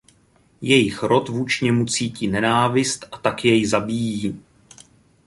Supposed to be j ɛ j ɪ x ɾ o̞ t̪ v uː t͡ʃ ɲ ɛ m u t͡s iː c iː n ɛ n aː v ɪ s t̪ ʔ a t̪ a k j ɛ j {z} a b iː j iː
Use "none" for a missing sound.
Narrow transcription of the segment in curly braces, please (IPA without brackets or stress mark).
z